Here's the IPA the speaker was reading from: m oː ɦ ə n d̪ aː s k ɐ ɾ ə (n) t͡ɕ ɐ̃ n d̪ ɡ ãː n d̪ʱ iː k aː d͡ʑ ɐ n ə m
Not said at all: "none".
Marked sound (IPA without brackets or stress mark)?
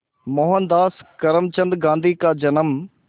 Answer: m